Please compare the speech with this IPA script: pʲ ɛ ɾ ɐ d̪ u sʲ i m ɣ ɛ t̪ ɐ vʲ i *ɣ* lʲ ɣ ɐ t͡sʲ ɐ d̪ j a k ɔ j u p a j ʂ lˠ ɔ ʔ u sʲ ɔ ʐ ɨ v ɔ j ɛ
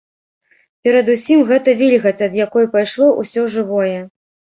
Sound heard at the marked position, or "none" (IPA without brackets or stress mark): none